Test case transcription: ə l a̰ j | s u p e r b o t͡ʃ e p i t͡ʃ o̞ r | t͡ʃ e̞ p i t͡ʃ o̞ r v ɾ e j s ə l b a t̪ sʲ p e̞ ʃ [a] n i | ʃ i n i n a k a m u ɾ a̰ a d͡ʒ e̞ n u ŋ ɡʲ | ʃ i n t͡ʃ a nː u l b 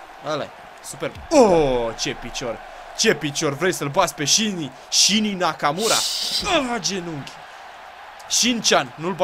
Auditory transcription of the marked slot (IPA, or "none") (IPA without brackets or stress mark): i